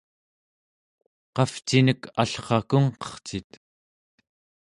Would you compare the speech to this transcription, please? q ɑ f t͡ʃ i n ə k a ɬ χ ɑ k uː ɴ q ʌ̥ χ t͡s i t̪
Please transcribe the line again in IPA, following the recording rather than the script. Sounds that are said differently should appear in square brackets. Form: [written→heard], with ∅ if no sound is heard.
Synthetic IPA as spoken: q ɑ f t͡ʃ i n ə k a ɬ χ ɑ k [uː→u] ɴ q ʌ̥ χ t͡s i t̪